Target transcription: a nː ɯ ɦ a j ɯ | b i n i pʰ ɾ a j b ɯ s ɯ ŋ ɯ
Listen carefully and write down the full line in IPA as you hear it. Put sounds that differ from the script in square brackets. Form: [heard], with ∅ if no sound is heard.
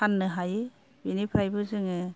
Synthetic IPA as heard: a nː ɯ ɦ a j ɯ | b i n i pʰ ɾ a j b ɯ [z] ɯ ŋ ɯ